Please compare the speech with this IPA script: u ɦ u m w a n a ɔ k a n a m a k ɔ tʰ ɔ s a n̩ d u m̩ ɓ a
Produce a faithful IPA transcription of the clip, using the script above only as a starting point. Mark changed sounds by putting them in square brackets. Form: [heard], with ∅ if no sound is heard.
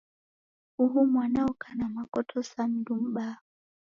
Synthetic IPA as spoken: u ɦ u m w a n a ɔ k a n a m a k ɔ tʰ ɔ s a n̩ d u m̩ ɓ a

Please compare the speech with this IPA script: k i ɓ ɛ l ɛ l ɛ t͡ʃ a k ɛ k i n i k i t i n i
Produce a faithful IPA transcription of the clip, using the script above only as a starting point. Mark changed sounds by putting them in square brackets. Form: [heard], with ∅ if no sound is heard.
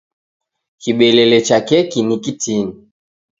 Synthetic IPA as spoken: k i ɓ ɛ l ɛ l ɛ t͡ʃ a k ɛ k i n i k i t i n i

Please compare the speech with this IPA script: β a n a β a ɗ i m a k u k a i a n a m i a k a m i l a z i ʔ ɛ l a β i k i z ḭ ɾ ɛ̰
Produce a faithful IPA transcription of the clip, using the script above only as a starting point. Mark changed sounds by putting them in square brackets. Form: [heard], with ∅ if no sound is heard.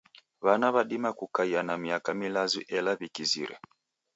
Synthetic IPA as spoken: β a n a β a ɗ i m a k u k a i a n a m i a k a m i l a z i ʔ ɛ l a β i k i z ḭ ɾ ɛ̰

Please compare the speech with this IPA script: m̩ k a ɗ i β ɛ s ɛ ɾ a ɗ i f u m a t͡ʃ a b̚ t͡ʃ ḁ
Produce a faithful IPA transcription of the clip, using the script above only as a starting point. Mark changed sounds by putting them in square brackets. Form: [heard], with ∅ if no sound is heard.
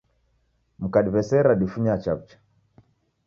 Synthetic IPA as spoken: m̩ k a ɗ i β ɛ s ɛ ɾ a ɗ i f u [ɲ] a t͡ʃ a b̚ t͡ʃ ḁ

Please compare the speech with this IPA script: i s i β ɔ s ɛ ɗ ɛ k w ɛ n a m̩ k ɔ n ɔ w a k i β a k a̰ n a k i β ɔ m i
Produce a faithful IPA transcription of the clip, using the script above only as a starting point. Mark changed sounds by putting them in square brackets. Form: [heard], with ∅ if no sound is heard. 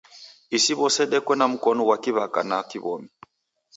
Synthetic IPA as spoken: i s i β ɔ s ɛ ɗ ɛ k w ɛ n a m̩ k ɔ n ɔ w a k i β a k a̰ n a k i β ɔ m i

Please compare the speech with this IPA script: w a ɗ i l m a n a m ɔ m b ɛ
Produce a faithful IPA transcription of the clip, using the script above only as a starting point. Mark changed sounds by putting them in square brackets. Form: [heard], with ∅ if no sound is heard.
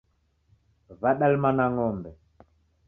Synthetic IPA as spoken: [v] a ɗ [a] l m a n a [ŋ] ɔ m b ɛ

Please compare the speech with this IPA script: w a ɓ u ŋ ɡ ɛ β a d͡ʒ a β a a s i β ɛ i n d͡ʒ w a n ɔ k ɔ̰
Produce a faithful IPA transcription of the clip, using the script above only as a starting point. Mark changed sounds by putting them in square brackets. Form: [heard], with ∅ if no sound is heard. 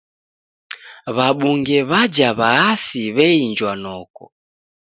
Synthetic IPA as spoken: [β] a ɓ u ŋ ɡ ɛ β a d͡ʒ a β a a s i β ɛ i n d͡ʒ w a n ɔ k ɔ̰

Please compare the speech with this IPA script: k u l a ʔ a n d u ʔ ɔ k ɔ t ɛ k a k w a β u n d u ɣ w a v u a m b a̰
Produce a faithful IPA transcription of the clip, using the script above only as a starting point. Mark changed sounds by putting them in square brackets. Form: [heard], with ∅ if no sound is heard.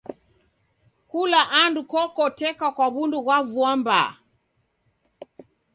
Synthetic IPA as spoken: k u l a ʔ a n d u [k] ɔ k ɔ t ɛ k a k w a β u n d u ɣ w a v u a m b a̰

